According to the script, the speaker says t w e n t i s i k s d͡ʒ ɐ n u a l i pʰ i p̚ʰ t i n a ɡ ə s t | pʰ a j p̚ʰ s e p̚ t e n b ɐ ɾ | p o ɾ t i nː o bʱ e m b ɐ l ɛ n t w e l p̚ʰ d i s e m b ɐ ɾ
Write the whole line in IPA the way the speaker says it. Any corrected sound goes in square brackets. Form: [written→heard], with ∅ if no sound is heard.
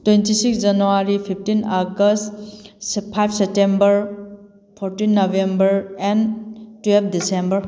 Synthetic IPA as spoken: t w e n t i s i k s d͡ʒ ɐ n u a [l→ɾ] i pʰ i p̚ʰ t i n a ɡ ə s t | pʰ a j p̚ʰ s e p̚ t e [n→m] b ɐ ɾ | [p→pʰ] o ɾ t i nː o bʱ e m b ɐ [l→ɾ] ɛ n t w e l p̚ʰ d i s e m b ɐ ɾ